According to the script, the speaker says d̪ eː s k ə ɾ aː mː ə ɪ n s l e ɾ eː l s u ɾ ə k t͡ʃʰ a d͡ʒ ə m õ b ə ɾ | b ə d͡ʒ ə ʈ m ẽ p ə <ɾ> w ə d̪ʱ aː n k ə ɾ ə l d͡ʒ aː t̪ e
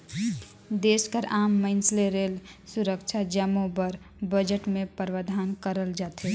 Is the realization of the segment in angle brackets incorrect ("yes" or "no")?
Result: no